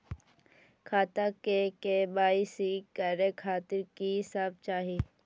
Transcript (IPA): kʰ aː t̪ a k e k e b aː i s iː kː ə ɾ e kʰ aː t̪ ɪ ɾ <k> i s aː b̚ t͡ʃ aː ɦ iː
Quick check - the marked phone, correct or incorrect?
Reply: correct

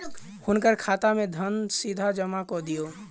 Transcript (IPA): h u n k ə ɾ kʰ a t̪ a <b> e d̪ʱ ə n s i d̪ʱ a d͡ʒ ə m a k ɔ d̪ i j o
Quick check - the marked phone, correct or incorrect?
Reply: incorrect: m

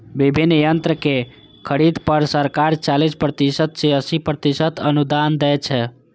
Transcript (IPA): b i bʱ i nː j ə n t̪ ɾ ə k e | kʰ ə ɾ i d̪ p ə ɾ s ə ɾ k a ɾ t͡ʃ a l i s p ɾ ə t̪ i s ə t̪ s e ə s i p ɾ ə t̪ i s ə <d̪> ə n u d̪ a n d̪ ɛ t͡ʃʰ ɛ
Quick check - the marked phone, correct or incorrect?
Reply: incorrect: t̪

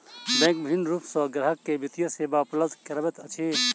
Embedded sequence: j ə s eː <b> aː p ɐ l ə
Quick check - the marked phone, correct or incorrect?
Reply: correct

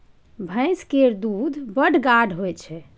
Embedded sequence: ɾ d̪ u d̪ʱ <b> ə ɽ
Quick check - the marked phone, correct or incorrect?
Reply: correct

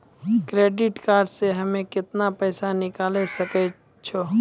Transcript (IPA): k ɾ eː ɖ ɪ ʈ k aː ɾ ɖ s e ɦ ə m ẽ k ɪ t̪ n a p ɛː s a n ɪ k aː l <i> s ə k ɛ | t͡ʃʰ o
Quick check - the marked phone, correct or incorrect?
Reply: incorrect: e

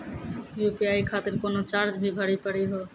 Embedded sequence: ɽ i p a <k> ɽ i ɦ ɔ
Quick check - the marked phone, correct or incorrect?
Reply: incorrect: none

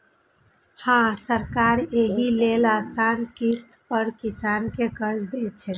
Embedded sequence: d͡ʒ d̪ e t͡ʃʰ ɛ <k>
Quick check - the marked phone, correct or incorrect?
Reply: incorrect: none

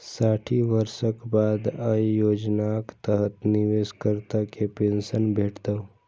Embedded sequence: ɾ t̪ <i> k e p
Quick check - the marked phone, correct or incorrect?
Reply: incorrect: a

